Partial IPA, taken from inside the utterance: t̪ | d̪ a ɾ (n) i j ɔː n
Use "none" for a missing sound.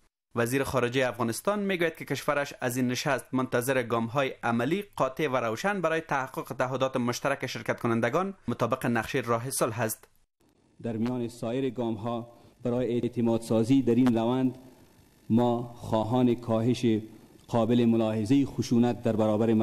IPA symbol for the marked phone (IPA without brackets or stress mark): m